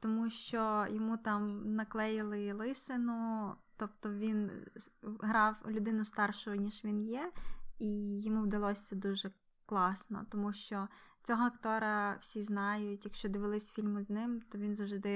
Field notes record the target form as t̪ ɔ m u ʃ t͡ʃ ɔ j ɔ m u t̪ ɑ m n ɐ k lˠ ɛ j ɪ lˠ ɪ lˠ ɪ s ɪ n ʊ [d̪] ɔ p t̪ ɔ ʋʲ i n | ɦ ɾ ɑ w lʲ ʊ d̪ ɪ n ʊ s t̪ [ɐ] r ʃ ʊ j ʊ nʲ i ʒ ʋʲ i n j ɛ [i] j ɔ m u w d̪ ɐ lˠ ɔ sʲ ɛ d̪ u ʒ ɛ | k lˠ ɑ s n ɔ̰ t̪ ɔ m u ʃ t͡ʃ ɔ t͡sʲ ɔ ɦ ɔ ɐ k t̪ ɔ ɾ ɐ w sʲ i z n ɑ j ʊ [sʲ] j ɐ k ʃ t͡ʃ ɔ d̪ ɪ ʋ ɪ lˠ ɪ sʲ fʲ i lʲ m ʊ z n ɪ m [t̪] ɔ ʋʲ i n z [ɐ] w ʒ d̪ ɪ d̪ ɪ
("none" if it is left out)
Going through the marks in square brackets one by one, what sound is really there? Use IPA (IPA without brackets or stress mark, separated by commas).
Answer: t̪, ɑ, i, tʲ, t̪, ɐ